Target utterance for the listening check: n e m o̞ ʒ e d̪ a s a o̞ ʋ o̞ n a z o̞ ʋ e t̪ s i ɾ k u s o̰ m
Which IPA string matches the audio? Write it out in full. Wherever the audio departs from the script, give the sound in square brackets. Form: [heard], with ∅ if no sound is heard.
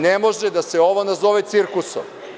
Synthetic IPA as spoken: n e m o̞ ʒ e d̪ a s [e] o̞ ʋ o̞ n a z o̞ ʋ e t̪ s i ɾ k u s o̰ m